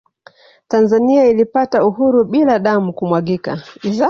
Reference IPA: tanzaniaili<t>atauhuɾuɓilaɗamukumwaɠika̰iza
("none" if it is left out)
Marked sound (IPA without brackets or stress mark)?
p